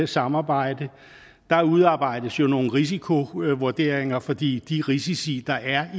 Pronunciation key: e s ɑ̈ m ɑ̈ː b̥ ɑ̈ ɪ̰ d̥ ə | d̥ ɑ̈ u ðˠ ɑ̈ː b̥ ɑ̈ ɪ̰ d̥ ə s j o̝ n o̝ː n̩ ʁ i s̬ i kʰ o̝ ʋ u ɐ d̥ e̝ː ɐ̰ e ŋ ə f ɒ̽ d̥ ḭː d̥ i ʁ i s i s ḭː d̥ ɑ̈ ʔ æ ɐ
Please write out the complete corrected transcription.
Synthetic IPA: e s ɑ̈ m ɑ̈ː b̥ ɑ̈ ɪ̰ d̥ ə | d̥ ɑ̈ u ðˠ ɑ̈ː b̥ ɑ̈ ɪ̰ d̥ ə s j o̝ n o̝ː n̩ ʁ i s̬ i kʰ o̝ ʋ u ɐ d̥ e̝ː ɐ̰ e ŋ ɐ f ɒ̽ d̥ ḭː d̥ i ʁ i s i s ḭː d̥ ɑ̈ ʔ æ ɐ